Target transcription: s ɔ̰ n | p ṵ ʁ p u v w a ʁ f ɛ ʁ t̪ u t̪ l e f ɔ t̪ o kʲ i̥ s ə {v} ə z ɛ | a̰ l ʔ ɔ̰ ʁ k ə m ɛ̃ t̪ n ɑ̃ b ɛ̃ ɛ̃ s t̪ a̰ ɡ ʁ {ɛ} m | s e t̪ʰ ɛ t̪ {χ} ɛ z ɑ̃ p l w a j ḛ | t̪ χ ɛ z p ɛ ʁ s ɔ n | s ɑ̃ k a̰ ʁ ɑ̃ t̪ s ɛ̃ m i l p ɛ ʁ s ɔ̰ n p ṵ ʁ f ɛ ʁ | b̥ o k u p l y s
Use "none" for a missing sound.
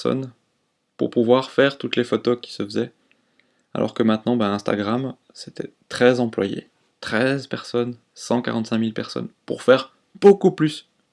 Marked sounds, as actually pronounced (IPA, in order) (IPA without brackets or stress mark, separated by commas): f, a, χ